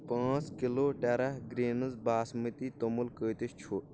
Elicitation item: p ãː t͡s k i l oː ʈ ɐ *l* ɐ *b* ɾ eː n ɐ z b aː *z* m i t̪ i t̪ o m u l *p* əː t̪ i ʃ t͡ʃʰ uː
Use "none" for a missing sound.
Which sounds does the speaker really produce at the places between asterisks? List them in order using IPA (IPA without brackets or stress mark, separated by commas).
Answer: ɾ, ɡ, s, k